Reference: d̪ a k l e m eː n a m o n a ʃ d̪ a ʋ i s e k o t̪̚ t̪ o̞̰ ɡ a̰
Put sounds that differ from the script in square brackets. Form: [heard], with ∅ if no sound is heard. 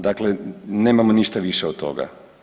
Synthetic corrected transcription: d̪ a k l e [n] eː [m] a m o n [i] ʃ [t̪] a ʋ i [ʃ] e [∅] o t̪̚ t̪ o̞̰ ɡ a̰